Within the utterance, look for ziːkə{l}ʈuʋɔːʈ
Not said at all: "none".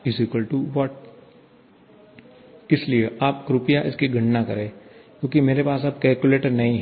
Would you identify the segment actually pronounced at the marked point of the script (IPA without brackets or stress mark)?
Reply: l